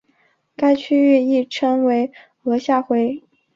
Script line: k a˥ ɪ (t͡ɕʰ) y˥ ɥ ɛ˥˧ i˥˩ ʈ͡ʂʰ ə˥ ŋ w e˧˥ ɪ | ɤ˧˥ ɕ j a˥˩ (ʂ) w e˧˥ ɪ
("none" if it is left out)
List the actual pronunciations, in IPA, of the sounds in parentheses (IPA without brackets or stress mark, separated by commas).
t͡ɕʰ, x